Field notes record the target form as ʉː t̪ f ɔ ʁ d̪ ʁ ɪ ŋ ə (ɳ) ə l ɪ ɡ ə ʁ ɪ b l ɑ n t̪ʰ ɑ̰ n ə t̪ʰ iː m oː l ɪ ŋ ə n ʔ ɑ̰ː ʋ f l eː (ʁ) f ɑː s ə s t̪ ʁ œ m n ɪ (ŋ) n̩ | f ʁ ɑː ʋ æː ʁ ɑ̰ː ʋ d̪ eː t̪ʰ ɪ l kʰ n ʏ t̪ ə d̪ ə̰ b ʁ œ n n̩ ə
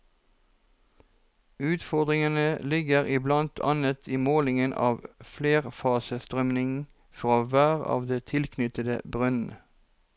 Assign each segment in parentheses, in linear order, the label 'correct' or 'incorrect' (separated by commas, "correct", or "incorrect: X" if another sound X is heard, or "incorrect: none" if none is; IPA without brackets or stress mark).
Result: incorrect: n, correct, correct